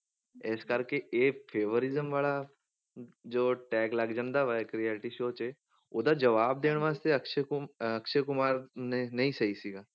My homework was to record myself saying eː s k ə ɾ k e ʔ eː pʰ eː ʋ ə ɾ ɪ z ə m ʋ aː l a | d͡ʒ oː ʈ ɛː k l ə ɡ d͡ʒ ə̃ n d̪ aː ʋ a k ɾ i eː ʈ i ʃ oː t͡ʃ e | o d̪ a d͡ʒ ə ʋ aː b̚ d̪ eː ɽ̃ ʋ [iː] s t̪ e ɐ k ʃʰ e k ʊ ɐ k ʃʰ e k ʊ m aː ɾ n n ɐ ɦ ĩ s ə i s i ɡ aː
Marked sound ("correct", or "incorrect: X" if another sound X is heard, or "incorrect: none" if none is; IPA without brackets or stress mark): incorrect: aː